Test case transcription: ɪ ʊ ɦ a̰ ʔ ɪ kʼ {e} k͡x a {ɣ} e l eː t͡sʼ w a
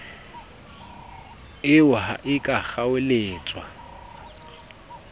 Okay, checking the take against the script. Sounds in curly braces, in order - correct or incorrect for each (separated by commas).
incorrect, incorrect